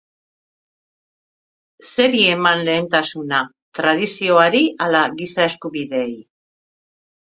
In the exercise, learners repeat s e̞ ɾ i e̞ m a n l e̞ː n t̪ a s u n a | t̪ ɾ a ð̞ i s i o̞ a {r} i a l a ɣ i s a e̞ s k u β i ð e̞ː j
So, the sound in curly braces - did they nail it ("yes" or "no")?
no